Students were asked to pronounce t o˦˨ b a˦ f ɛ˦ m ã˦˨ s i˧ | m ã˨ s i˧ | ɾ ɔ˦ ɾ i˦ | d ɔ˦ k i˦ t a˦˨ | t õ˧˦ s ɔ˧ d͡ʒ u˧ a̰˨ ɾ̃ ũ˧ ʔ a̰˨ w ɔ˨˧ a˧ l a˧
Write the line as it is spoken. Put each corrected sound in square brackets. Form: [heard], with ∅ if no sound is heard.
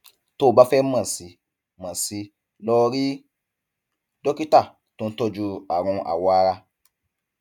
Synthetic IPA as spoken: t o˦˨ b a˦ f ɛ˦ m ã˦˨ s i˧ | m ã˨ s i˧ | [l] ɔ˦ ɾ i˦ | d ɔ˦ k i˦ t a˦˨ | t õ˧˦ [t] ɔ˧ d͡ʒ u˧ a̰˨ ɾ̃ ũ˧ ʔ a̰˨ w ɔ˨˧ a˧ [ɾ] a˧